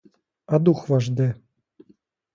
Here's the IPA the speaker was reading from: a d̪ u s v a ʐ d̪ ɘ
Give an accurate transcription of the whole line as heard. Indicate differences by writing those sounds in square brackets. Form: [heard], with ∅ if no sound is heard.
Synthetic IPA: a d̪ u [x] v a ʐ d̪ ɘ